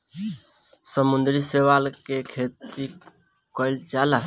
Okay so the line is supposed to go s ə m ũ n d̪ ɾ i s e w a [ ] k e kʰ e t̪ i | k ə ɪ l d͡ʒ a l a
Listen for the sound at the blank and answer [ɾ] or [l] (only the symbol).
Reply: l